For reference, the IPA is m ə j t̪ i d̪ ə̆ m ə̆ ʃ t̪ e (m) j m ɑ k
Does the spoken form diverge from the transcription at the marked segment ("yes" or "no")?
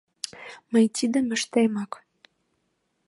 yes